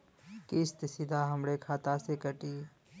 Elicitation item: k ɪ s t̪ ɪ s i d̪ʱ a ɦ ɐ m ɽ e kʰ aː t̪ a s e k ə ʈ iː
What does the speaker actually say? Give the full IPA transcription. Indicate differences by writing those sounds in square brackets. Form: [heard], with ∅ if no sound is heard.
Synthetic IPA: k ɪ s t̪ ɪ s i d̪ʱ a ɦ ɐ m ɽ e kʰ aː t̪ a s e k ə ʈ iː

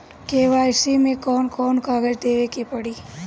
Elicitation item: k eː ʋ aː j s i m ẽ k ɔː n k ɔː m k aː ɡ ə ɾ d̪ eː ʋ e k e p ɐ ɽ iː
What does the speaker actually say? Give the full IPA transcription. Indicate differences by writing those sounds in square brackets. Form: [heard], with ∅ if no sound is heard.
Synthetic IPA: k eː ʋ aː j s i m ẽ k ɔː n k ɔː [n] k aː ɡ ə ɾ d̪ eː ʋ e k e p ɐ ɽ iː

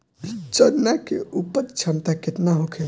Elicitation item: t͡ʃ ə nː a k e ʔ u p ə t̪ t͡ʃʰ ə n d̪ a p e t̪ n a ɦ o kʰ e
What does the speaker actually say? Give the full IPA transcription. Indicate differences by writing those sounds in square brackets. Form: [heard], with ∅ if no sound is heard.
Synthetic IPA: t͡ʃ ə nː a k e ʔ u p ə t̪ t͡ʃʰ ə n [t̪] a [k] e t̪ n a ɦ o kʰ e

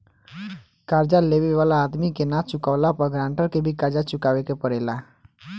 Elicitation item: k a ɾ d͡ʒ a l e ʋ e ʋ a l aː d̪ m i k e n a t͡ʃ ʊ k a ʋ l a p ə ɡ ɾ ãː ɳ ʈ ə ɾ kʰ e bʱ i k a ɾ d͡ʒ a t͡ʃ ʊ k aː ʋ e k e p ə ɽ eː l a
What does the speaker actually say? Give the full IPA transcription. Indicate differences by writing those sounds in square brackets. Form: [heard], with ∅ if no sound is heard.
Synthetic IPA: k a ɾ d͡ʒ a l e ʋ e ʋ a l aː d̪ m i k e n a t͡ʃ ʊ k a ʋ l a p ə ɡ ɾ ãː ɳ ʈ ə ɾ [k] e bʱ i k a ɾ d͡ʒ a t͡ʃ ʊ k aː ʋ e k e p ə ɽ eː l a

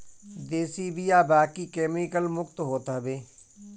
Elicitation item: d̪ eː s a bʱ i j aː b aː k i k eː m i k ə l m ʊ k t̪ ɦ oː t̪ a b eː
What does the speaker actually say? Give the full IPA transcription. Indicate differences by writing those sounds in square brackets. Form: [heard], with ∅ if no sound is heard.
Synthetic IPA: d̪ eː s [i] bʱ i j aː b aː k i k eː m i k ə l m ʊ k t̪ ɦ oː t̪ a b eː

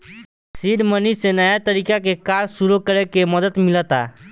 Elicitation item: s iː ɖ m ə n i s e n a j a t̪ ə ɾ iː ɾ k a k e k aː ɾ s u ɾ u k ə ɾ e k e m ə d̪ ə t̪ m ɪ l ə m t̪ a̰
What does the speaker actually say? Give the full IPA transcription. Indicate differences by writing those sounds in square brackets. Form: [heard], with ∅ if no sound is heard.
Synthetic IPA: s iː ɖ m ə n i s e n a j a t̪ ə ɾ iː [∅] k a k e k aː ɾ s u ɾ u k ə ɾ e k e m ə d̪ ə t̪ m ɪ l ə [∅] t̪ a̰

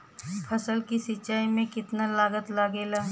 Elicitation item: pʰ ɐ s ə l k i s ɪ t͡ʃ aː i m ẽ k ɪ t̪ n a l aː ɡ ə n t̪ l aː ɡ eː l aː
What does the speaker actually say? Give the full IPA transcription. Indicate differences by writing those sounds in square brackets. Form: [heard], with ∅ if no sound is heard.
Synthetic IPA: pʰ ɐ s ə l k i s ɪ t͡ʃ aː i m ẽ k ɪ t̪ n a l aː ɡ ə [∅] t̪ l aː ɡ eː l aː

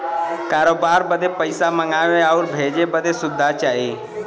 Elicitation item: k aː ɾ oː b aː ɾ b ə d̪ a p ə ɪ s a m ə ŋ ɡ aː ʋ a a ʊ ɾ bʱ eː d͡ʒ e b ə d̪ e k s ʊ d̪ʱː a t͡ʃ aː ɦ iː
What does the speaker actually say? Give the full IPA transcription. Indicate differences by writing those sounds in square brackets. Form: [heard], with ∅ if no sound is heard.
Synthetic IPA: k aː ɾ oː b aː ɾ b ə d̪ [e] p ə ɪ s a m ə ŋ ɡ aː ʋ [e] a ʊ ɾ bʱ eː d͡ʒ e b ə d̪ e [∅] s ʊ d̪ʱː a t͡ʃ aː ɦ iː

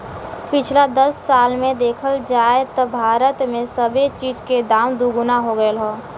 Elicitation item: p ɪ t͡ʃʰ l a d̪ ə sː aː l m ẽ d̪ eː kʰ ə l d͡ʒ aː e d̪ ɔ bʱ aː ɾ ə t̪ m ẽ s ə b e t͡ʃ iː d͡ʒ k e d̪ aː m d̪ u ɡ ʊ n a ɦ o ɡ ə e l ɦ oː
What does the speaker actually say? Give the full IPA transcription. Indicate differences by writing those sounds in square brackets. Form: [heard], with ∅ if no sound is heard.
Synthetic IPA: p ɪ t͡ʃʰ l a d̪ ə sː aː l m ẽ d̪ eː kʰ ə l d͡ʒ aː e [t̪] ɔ bʱ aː ɾ ə t̪ m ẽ s ə b e t͡ʃ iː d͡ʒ k e d̪ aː m d̪ u ɡ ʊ n a ɦ o ɡ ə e l ɦ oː

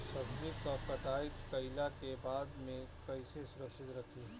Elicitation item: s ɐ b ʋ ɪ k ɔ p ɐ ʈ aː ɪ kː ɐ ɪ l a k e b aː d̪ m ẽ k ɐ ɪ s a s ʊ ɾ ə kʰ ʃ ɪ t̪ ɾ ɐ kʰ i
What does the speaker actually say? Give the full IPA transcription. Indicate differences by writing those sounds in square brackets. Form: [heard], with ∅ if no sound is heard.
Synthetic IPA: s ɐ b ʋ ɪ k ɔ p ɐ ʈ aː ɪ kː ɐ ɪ l a k e b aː d̪ m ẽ k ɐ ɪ s [e] s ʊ ɾ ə [k] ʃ ɪ t̪ ɾ ɐ kʰ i

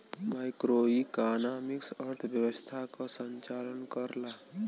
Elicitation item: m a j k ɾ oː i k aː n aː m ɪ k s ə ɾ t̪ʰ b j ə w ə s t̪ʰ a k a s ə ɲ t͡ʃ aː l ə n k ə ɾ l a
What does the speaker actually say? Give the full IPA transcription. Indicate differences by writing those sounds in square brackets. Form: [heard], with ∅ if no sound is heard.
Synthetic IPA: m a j k ɾ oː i k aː n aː m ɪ k s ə ɾ t̪ʰ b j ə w ə s t̪ʰ a k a s ə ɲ t͡ʃ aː l ə n k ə ɾ l a

